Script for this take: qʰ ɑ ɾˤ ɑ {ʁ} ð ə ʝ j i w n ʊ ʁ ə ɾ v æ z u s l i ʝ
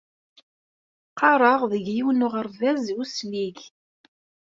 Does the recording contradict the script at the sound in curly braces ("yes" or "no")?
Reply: no